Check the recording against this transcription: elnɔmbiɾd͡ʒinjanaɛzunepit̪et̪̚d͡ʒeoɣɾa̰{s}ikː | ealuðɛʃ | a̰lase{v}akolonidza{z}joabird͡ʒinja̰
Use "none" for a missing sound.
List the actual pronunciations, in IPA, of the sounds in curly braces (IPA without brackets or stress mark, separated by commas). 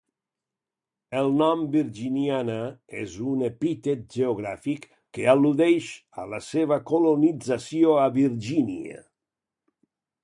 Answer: f, v, s